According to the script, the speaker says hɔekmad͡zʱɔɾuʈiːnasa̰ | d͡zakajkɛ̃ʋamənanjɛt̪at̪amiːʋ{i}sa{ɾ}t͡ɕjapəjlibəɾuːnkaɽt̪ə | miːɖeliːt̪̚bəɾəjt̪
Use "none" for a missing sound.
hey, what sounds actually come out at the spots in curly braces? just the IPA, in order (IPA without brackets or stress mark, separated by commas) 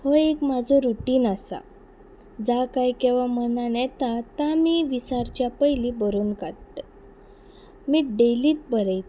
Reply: i, ɾ